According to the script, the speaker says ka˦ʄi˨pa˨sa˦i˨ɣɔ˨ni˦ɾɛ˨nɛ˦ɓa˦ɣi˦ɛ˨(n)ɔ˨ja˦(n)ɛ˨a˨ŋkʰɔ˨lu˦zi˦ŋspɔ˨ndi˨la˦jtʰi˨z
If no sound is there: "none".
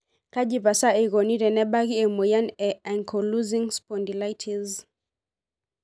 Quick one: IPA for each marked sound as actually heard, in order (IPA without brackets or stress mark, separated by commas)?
m, n